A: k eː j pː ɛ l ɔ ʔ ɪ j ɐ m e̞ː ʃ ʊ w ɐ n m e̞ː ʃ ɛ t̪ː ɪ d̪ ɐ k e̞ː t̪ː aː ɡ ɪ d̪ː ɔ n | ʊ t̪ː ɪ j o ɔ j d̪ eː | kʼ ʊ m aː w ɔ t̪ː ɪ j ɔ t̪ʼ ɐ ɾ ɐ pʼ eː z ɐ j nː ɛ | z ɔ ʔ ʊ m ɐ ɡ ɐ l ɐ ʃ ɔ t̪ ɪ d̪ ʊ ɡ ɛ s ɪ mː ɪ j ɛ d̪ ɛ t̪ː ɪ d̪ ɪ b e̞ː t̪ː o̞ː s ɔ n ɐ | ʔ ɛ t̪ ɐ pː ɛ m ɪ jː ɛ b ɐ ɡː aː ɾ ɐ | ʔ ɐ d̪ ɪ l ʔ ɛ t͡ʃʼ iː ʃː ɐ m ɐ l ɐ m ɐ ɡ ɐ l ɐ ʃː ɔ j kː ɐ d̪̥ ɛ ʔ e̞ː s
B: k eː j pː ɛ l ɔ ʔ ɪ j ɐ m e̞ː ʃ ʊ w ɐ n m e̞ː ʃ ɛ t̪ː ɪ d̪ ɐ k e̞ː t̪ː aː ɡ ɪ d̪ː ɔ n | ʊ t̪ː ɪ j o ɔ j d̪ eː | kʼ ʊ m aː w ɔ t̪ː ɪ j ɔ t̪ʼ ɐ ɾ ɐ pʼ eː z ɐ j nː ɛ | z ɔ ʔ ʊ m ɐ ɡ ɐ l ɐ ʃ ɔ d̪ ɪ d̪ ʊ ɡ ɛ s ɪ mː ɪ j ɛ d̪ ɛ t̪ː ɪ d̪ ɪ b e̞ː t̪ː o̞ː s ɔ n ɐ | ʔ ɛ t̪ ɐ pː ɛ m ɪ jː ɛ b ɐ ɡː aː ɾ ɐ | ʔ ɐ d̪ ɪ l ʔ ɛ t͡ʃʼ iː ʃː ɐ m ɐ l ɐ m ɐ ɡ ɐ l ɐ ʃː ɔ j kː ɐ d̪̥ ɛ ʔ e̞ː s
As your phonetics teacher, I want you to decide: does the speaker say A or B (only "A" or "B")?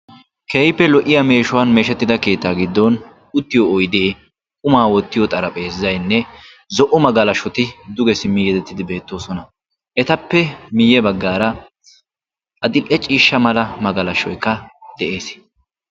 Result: A